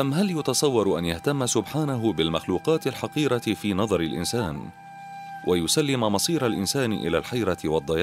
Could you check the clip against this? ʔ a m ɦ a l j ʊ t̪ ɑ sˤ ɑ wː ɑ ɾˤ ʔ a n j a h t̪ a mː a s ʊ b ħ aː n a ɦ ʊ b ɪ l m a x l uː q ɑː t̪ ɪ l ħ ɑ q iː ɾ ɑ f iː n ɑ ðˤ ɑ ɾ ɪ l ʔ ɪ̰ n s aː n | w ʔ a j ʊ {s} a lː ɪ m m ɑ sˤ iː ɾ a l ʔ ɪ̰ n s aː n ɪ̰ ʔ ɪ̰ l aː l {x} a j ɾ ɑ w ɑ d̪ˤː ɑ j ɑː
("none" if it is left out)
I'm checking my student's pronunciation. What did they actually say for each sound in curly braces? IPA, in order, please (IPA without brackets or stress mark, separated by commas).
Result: s, ħ